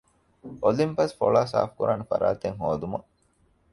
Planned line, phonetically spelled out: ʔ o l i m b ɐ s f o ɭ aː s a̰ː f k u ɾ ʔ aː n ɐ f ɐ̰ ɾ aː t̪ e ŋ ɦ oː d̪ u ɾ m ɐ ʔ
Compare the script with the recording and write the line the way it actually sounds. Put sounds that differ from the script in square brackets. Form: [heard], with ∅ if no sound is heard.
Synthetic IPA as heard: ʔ o l i m [p] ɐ s f o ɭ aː s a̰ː f k u ɾ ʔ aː n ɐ f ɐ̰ ɾ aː t̪ e ŋ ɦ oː d̪ u [∅] m ɐ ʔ